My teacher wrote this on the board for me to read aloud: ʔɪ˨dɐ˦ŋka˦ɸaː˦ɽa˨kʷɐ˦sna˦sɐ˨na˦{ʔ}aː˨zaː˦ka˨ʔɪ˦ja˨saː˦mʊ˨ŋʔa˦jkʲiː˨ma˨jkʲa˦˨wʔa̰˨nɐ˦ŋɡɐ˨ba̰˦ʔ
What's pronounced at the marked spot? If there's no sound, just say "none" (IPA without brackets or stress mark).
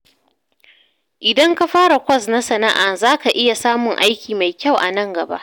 ʔ